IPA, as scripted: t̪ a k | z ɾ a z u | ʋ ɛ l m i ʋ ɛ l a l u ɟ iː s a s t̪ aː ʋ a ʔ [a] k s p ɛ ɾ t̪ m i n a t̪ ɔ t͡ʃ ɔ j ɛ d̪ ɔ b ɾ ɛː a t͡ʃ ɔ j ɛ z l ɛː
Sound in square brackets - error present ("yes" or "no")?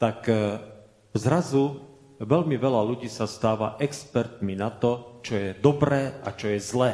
yes